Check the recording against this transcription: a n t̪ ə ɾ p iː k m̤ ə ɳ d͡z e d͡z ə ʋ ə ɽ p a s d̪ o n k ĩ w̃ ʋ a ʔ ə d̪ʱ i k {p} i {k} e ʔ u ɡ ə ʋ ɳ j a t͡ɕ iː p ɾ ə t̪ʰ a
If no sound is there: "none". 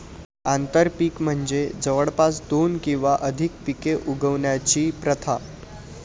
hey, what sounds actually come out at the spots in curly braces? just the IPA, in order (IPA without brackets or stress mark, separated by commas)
p, k